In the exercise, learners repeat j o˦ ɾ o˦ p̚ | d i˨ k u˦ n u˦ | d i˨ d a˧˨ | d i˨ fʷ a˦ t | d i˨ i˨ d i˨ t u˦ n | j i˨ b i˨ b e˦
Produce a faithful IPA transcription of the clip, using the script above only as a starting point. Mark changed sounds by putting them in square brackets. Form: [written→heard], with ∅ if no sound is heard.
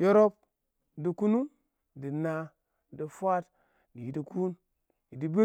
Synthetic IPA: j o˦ ɾ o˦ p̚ | d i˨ k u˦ n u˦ | d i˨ [d→n] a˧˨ | d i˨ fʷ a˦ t | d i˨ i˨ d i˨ [t→k] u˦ n | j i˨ [b→d] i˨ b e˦